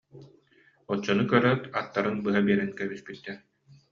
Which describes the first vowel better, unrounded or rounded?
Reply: rounded